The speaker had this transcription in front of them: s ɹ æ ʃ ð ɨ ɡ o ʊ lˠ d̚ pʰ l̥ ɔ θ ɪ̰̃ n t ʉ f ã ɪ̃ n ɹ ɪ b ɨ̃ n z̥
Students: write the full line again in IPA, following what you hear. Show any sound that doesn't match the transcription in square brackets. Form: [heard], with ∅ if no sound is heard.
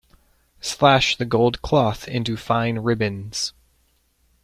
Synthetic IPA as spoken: s [l] æ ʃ ð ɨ ɡ o ʊ lˠ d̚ [kʰ] l̥ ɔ θ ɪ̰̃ n t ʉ f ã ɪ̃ n ɹ ɪ b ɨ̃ n z̥